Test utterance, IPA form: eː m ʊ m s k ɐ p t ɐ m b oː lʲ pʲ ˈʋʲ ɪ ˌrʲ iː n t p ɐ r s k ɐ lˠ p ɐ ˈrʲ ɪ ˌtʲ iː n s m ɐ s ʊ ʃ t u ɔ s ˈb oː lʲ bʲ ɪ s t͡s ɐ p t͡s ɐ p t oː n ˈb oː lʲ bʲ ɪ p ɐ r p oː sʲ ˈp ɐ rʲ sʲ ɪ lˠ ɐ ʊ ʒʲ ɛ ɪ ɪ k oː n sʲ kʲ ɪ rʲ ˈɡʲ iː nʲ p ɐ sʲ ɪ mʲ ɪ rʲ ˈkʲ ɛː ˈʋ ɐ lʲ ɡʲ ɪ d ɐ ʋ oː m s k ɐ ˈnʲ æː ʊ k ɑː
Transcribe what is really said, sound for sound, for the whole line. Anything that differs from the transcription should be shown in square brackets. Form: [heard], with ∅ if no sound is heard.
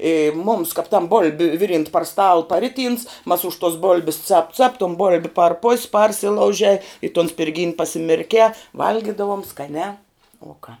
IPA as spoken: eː m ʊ m s k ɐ p t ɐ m b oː lʲ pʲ ˈʋʲ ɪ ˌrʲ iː n t p ɐ r s [t] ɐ lˠ p ɐ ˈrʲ ɪ ˌtʲ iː n s m ɐ s ʊ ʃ t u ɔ s ˈb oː lʲ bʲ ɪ s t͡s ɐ p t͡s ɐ p t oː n ˈb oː lʲ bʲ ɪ p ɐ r p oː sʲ ˈp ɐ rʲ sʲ ɪ lˠ ɐ ʊ ʒʲ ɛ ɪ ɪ [t] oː n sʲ [pʲ] ɪ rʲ ˈɡʲ iː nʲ p ɐ sʲ ɪ mʲ ɪ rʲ ˈkʲ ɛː ˈʋ ɐ lʲ ɡʲ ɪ d ɐ ʋ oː m s k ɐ ˈnʲ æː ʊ k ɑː